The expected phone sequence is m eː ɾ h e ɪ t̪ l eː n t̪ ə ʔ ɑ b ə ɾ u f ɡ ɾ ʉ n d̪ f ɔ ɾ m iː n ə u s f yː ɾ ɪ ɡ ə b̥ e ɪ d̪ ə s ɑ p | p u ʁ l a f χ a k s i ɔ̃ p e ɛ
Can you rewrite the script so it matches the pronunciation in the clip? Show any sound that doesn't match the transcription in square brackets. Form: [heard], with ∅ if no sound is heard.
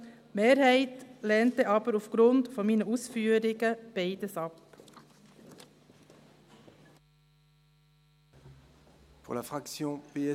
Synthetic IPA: m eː ɾ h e ɪ t̪ l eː n t̪ ə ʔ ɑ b ə ɾ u f ɡ ɾ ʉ n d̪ f ɔ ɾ m iː n ə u s f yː ɾ ɪ ɡ ə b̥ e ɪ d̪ ə s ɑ p | p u ʁ l a f χ a k s [j] ɔ̃ p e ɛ

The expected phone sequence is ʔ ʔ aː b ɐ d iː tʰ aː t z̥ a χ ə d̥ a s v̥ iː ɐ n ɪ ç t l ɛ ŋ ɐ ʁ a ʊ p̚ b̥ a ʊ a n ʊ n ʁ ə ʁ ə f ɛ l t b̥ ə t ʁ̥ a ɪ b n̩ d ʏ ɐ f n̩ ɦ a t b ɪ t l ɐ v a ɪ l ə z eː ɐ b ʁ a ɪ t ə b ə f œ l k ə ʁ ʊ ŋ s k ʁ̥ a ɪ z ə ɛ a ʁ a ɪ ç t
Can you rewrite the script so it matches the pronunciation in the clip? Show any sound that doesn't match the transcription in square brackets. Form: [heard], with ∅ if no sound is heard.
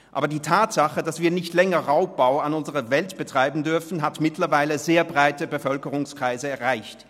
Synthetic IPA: ʔ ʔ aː b ɐ d iː tʰ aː t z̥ a χ ə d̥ a s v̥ iː ɐ n ɪ ç t l ɛ ŋ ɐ ʁ a ʊ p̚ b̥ a ʊ a n ʊ n [z] ə ʁ ə [v] ɛ l t b̥ ə t ʁ̥ a ɪ b n̩ d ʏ ɐ f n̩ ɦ a t [m] ɪ t l ɐ v a ɪ l ə z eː ɐ b ʁ a ɪ t ə b ə f œ l k ə ʁ ʊ ŋ s k ʁ̥ a ɪ z ə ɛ [ɐ] ʁ a ɪ ç t

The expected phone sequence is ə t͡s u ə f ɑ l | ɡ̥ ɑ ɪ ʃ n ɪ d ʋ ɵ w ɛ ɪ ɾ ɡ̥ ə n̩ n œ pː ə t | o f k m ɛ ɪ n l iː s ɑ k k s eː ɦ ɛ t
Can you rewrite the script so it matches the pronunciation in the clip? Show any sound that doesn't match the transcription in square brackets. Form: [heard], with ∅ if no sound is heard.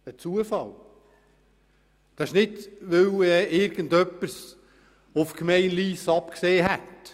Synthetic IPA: ə t͡s u ə f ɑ l | [d̥] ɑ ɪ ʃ n ɪ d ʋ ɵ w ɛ ɪ ɾ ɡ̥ ə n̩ [d] œ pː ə [s] | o f k m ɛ ɪ n l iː s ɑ [p] k s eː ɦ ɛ t

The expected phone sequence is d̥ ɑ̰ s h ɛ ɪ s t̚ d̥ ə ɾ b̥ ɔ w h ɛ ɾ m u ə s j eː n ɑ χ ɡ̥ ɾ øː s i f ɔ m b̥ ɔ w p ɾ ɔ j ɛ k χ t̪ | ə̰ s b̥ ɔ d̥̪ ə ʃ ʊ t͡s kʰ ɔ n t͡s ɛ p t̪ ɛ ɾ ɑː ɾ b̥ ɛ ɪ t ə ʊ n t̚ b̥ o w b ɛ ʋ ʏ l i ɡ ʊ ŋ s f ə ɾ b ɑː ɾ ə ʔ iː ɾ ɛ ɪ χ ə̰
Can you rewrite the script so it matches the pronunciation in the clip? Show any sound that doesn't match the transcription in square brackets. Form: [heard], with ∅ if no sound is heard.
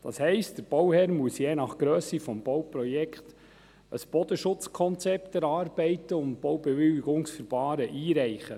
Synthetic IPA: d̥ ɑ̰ s h ɛ ɪ s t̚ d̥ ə ɾ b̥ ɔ w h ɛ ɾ m u ə s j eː n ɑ χ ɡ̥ ɾ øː s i f ɔ m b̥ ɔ w p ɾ ɔ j ɛ k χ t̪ | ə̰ s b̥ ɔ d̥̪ ə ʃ ʊ t͡s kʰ ɔ n t͡s ɛ p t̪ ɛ ɾ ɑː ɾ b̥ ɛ ɪ t ə ʊ n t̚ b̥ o w b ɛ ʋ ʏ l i ɡ ʊ ŋ s f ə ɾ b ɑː ɾ ə ʔ iː ɾ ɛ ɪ χ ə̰

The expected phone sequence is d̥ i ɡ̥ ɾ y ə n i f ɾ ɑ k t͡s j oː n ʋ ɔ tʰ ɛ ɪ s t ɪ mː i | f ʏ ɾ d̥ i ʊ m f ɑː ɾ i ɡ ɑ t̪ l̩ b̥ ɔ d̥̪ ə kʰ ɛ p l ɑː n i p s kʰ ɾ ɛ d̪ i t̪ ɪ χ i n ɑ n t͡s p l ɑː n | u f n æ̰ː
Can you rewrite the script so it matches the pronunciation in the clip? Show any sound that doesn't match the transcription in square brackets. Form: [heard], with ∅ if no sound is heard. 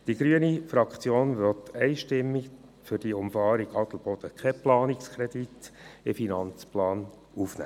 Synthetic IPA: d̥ i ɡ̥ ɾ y ə n i f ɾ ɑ k t͡s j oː n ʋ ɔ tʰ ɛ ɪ [ʃ] t ɪ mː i | f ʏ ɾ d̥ i ʊ m f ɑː ɾ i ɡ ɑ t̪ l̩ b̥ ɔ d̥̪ ə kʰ ɛ p l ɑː n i [k] s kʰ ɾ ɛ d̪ i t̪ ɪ [f] i n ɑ n t͡s p l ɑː n | u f n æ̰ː

